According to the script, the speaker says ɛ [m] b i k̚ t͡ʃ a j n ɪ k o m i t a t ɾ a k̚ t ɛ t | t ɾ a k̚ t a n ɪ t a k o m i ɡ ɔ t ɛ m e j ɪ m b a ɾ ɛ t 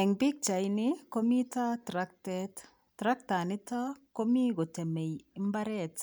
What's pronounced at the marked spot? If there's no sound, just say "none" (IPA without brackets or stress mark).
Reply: ŋ